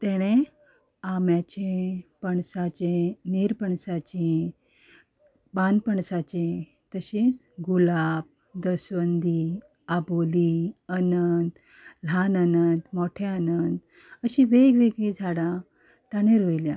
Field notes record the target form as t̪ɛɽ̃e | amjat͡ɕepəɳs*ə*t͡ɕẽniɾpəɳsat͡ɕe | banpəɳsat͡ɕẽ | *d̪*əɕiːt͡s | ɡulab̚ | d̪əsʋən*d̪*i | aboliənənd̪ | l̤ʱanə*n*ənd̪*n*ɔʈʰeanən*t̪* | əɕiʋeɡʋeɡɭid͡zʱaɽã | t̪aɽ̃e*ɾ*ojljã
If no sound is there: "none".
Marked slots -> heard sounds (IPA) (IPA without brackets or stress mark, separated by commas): a, t̪, d̪, n, m, d̪, ɾ